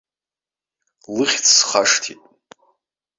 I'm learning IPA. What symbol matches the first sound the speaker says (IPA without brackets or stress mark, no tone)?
l